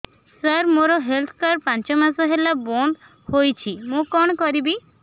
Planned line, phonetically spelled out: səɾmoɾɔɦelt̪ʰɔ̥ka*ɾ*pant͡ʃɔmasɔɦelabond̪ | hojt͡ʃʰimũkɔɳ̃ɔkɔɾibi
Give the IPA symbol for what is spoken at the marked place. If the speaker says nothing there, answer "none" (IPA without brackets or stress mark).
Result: ɾ